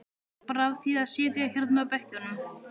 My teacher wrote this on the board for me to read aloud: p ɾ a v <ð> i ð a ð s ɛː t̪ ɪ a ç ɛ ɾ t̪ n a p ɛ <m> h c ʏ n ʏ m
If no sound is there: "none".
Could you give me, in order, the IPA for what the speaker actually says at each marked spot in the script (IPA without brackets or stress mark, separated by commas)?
θ, none